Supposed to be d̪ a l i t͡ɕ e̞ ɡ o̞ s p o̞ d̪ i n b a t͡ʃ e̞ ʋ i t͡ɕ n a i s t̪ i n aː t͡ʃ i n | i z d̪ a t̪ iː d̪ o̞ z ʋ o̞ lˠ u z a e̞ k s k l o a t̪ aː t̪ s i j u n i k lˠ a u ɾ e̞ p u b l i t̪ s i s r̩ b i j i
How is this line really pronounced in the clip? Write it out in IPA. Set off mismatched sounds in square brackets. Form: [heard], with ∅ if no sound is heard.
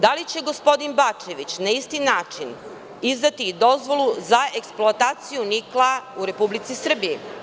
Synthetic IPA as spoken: d̪ a l i t͡ɕ e̞ ɡ o̞ s p o̞ d̪ i n b a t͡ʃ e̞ ʋ i t͡ɕ n a i s t̪ i n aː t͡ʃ i n | i z d̪ a t̪ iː d̪ o̞ z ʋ o̞ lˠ u z a e̞ k s [p] l o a t̪ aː t̪ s i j u n i k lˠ a u ɾ e̞ p u b l i t̪ s i s r̩ b i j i